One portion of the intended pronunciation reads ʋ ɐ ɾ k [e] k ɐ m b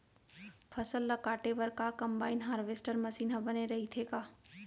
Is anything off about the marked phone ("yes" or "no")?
yes